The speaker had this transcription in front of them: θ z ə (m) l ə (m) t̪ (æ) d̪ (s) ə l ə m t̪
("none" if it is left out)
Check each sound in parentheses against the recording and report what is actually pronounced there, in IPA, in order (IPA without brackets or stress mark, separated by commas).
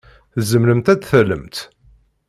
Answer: m, m, æ, θ